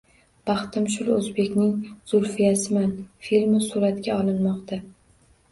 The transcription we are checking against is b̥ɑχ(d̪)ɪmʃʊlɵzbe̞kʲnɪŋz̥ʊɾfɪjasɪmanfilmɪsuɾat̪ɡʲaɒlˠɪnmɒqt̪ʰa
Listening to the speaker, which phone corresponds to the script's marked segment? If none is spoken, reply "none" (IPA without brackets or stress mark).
t̪